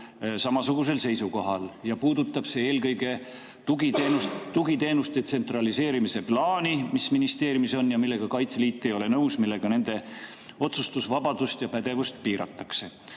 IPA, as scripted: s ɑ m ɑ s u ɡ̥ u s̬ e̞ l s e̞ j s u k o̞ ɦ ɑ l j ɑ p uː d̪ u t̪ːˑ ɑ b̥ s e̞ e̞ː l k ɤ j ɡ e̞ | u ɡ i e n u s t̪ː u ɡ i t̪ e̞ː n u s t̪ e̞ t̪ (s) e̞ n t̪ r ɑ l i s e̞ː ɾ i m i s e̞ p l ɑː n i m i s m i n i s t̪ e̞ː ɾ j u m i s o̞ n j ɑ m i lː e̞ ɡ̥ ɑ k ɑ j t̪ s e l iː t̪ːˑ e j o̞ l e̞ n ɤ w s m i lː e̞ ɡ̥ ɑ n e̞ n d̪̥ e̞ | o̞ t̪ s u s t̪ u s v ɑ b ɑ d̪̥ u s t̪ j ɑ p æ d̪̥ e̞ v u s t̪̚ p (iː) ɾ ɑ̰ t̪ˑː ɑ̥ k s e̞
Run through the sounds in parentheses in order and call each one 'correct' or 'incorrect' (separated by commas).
correct, correct